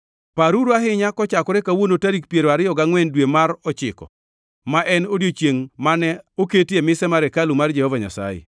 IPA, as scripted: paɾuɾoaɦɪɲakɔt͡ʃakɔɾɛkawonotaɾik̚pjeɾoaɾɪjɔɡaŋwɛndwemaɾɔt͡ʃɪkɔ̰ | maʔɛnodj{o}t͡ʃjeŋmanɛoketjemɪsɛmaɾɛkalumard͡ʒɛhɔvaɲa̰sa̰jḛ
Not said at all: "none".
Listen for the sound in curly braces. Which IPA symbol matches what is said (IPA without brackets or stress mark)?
o